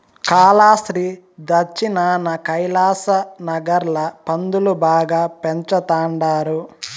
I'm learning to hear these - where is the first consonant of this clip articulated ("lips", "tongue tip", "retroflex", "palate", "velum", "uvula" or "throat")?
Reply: velum